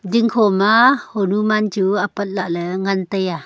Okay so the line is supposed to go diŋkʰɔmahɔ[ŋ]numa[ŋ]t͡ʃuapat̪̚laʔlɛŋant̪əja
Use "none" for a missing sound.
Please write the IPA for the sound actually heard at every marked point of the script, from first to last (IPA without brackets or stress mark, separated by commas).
none, n